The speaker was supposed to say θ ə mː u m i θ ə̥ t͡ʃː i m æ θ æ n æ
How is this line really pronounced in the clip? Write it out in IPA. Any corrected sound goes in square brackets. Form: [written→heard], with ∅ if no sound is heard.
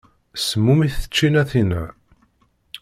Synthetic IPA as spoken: [θ→s] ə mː u m i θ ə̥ t͡ʃː i [m→n] æ θ [æ→i] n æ